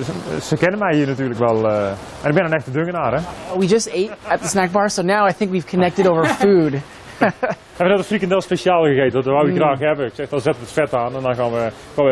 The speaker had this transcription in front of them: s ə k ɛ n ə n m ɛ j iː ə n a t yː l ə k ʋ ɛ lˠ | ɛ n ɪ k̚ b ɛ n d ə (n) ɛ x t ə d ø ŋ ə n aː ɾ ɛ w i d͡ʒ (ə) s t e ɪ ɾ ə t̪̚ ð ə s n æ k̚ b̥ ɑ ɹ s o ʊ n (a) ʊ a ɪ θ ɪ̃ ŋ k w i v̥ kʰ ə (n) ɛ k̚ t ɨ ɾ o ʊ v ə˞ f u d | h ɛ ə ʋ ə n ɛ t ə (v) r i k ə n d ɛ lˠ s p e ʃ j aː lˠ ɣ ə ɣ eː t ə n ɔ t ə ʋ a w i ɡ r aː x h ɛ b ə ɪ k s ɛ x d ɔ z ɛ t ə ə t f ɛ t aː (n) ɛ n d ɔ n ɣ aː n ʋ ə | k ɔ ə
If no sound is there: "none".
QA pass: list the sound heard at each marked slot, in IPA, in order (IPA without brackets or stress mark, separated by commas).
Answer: n, ʌ, a, n, f, n